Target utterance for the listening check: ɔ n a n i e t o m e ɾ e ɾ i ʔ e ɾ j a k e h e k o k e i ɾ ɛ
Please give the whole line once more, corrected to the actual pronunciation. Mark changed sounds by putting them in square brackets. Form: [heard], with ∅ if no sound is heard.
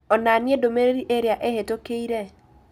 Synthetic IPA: ɔ n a n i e [d] o m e ɾ e ɾ i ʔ e ɾ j a [ʔ] e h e [t] o k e i ɾ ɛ